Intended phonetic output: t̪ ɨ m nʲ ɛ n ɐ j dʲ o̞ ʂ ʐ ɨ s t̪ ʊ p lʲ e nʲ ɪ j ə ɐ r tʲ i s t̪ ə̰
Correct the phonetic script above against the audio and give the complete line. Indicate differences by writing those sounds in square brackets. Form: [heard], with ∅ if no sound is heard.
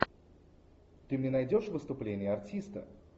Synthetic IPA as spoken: t̪ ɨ m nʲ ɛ n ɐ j dʲ o̞ ʂ [v] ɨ s t̪ ʊ p lʲ e nʲ ɪ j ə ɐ r tʲ i s t̪ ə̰